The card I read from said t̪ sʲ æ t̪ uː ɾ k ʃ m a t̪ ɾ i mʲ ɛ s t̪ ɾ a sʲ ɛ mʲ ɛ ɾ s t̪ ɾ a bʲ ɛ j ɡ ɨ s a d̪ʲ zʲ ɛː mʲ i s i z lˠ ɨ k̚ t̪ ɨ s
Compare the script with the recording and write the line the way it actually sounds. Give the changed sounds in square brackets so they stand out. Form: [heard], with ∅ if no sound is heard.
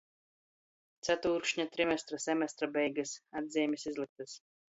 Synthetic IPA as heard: t̪ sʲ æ t̪ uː ɾ k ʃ [ɲ] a t̪ ɾ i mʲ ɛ s t̪ ɾ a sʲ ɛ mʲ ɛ [∅] s t̪ ɾ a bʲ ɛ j ɡ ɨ s a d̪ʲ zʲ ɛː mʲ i s i z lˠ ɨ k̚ t̪ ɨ s